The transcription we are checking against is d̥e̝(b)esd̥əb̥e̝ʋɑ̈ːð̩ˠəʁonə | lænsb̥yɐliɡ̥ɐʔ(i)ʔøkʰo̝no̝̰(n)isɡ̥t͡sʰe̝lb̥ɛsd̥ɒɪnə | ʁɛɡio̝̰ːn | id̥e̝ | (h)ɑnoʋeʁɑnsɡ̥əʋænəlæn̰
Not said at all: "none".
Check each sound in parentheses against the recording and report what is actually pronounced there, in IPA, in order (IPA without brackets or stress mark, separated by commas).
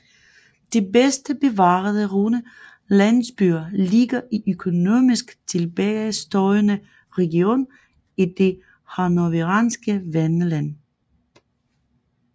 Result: b, i, m, h